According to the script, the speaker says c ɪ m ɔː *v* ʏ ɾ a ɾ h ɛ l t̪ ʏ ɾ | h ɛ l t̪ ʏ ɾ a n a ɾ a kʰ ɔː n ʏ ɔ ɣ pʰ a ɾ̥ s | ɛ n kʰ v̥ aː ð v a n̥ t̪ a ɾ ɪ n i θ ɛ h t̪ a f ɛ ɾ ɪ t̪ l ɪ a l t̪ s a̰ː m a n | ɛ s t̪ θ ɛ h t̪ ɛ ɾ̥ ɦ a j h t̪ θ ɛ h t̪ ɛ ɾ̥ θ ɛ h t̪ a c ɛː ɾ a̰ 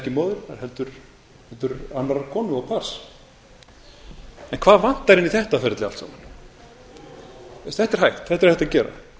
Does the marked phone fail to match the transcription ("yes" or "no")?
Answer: yes